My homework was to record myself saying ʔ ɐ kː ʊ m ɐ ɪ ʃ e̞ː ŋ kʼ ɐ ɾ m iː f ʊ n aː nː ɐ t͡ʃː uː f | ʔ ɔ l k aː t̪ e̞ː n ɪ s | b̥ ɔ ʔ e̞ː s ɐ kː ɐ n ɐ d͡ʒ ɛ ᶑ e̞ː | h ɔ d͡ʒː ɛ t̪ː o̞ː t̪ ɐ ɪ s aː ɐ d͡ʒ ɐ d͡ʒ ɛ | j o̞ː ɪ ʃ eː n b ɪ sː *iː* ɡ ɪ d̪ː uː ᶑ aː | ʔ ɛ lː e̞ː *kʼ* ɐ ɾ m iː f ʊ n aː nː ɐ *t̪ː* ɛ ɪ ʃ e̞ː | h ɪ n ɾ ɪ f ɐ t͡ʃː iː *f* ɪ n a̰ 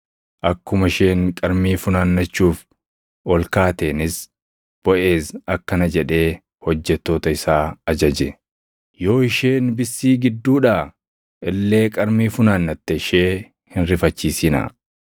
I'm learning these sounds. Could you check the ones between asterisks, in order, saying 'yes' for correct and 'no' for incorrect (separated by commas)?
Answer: yes, yes, yes, no